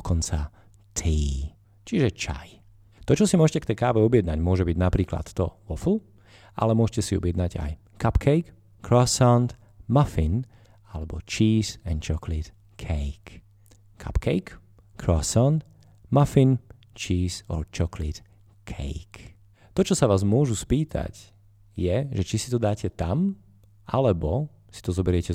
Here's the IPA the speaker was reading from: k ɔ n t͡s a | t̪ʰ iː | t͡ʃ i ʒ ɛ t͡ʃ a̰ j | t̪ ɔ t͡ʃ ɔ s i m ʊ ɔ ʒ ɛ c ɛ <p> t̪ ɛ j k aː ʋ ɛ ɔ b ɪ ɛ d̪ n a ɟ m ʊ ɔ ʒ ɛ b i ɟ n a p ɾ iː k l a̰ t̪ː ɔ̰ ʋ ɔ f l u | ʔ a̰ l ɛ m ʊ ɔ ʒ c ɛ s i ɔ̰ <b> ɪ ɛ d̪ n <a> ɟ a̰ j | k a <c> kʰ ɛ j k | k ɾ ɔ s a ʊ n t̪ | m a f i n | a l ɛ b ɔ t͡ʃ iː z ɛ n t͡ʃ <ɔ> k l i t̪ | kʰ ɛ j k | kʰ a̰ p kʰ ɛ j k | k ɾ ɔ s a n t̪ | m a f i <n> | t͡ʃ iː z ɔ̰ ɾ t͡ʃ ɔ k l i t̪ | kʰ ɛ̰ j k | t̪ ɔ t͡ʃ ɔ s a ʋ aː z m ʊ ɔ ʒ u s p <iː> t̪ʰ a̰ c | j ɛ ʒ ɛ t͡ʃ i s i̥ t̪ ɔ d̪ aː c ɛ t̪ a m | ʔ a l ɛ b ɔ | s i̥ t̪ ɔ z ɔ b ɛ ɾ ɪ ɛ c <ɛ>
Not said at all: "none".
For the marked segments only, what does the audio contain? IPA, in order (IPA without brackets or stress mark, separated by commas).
k, b, a, p, ɔ, n, iː, ɛ